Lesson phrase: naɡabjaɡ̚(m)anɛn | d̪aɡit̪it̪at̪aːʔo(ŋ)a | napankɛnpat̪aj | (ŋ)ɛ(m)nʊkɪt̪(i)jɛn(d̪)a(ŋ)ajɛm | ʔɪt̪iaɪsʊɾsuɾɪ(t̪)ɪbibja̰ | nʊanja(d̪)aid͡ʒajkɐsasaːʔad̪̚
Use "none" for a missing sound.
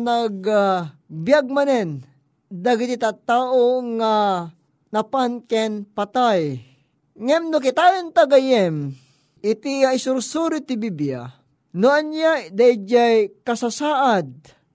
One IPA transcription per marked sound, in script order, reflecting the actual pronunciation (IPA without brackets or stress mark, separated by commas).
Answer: m, ŋ, ŋ, m, a, t̪, ɡ, t̪, d̪